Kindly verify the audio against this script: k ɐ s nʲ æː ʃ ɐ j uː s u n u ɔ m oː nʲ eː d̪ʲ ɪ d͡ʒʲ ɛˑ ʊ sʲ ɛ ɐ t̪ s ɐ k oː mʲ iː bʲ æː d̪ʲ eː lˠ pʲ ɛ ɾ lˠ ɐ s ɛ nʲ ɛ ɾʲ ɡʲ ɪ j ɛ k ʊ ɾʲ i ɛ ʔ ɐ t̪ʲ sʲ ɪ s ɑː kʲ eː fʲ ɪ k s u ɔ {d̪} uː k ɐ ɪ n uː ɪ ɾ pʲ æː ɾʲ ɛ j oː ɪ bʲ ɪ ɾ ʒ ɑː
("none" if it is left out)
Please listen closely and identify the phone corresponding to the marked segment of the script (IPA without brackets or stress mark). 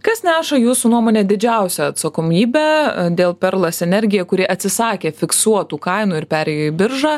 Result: t̪